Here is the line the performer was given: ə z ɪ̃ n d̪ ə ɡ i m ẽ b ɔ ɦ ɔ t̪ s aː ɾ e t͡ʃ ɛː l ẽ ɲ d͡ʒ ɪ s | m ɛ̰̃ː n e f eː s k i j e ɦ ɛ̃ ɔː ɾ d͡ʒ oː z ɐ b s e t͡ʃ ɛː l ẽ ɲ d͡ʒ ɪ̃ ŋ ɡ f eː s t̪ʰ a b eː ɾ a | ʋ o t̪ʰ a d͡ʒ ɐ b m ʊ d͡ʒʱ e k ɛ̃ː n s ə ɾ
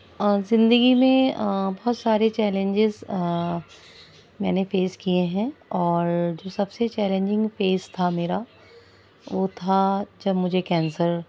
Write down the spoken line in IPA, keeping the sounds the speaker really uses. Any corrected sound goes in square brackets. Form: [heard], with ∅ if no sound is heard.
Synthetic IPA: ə z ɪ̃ n d̪ ə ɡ i m ẽ b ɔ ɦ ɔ t̪ s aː ɾ e t͡ʃ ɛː l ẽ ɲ d͡ʒ ɪ [z] | m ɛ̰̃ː n e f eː s k i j e ɦ ɛ̃ ɔː ɾ d͡ʒ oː [s] ɐ b s e t͡ʃ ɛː l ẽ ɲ d͡ʒ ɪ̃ ŋ ɡ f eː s t̪ʰ a [m] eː ɾ a | ʋ o t̪ʰ a d͡ʒ ɐ b m ʊ d͡ʒʱ e k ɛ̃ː n s ə ɾ